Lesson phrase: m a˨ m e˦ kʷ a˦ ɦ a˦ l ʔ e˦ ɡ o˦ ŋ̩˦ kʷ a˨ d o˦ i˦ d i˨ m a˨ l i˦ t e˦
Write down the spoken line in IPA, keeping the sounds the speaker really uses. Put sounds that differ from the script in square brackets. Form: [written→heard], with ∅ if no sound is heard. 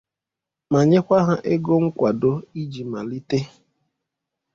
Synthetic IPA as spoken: m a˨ [m→ɲ] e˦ kʷ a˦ ɦ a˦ [l→∅] ʔ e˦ ɡ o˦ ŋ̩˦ kʷ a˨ d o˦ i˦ [d→d͡ʒ] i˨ m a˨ l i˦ t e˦